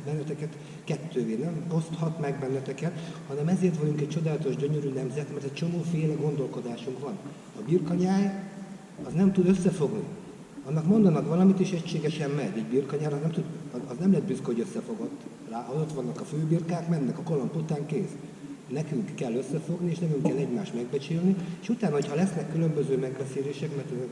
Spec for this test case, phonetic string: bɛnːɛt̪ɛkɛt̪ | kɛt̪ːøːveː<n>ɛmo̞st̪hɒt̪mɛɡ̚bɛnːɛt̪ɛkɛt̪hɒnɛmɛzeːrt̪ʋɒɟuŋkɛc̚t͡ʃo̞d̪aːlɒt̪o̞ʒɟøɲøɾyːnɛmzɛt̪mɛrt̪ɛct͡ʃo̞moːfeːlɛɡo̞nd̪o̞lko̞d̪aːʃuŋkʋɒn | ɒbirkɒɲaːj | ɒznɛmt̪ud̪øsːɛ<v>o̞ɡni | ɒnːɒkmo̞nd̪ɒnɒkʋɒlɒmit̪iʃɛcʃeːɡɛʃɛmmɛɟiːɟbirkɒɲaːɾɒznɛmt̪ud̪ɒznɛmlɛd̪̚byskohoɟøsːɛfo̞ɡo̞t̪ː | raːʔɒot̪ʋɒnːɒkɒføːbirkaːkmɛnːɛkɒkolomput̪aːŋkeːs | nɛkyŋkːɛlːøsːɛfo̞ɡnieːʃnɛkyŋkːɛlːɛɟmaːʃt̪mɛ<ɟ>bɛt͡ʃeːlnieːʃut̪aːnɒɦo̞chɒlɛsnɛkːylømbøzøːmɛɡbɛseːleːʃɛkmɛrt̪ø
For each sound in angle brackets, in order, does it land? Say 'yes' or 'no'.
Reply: yes, no, no

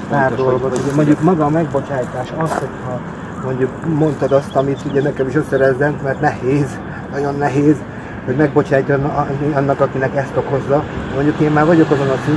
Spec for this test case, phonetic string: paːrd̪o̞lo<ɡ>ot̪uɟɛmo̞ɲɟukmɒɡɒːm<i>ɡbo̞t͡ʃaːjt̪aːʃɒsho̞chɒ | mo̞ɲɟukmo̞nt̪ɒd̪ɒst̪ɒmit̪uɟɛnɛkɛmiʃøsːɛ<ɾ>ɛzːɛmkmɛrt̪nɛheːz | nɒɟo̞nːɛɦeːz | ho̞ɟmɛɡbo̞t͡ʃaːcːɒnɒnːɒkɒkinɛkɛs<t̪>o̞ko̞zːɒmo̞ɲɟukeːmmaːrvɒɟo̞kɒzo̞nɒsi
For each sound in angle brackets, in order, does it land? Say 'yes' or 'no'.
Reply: yes, no, yes, yes

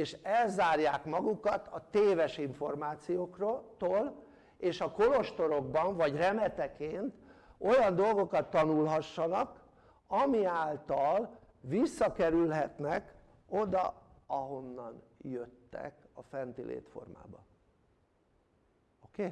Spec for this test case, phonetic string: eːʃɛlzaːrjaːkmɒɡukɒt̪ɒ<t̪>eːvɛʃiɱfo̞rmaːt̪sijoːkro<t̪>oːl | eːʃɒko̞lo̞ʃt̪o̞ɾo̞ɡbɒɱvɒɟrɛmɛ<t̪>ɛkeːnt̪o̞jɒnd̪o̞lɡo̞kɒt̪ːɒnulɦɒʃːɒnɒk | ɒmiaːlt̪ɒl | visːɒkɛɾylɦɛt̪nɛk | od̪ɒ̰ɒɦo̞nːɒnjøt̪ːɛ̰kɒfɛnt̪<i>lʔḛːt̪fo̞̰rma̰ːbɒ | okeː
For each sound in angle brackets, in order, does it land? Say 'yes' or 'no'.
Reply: yes, yes, yes, yes

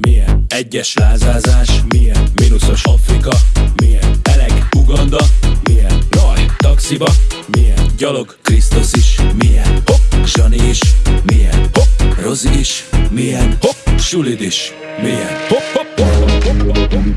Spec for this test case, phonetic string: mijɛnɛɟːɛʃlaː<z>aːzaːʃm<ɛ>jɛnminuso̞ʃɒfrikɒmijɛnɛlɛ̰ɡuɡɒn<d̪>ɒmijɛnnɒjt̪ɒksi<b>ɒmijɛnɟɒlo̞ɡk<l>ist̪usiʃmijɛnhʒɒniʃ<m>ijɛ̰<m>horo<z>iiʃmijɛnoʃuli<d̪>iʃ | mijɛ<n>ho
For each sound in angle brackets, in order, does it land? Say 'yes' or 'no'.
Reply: yes, no, yes, yes, no, yes, no, yes, yes, yes

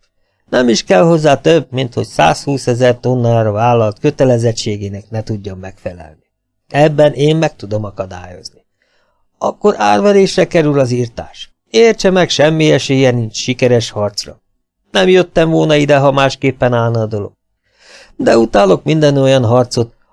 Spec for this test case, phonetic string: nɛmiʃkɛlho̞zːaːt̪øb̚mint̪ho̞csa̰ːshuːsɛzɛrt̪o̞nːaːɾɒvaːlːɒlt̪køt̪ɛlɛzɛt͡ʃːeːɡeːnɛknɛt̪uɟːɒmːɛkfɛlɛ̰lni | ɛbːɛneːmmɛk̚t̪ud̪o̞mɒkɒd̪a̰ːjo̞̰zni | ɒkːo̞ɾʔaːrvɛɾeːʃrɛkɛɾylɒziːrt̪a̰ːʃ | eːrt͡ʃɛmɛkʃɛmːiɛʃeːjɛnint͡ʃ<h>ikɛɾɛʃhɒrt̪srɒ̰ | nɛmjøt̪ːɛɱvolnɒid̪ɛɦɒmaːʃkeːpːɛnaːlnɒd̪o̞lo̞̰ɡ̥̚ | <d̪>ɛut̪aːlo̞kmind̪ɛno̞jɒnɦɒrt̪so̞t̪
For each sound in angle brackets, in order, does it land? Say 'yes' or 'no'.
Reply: no, yes

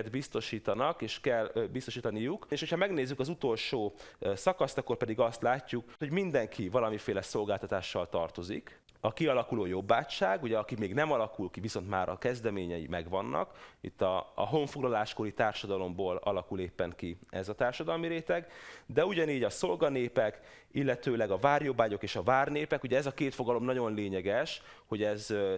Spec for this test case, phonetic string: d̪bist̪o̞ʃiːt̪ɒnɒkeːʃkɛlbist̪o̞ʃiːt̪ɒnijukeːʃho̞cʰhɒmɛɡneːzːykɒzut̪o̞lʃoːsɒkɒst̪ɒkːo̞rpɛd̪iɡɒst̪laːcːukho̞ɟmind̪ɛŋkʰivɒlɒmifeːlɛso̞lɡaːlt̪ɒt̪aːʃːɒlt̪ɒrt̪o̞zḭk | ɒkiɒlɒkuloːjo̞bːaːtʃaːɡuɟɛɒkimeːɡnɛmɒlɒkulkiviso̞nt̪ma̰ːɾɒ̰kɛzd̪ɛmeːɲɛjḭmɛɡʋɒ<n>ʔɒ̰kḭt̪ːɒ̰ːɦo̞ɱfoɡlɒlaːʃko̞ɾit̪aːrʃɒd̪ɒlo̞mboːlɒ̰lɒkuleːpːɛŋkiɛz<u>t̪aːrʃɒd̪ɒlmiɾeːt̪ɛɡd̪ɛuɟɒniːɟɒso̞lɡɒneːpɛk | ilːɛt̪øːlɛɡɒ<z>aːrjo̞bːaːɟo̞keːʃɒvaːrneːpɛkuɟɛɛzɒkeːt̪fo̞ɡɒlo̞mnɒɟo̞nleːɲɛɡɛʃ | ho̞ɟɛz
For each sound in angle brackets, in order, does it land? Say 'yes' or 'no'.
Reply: no, no, no

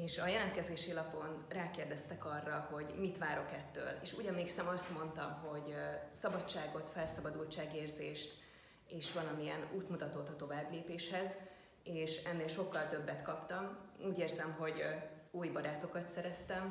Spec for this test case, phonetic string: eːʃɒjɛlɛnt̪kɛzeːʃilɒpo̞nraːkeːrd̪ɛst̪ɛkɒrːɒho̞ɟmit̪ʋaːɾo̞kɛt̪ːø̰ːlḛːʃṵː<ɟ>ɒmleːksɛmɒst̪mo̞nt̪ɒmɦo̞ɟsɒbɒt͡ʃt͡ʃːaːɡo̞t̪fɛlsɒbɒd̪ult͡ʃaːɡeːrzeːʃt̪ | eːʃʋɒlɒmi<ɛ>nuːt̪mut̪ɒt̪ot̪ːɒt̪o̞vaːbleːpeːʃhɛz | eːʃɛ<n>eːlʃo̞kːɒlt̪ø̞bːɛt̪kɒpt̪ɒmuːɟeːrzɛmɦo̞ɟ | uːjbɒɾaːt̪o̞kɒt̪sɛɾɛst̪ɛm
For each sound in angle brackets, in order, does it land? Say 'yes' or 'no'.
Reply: yes, yes, no

